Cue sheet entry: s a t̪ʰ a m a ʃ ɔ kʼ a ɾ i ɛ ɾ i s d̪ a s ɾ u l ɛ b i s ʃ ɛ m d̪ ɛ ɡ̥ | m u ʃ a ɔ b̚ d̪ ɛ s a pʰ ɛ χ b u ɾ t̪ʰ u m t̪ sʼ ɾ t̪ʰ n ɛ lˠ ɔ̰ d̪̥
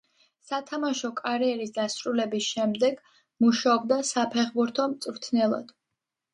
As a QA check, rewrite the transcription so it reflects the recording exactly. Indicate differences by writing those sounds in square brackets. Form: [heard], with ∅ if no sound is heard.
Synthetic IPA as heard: s a t̪ʰ a m a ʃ ɔ kʼ a ɾ i ɛ ɾ i s d̪ a s ɾ u l ɛ b i s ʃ ɛ m d̪ ɛ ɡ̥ | m u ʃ a ɔ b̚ d̪ [a] s a pʰ ɛ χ b u ɾ t̪ʰ [ɔ] m t̪ sʼ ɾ t̪ʰ n ɛ lˠ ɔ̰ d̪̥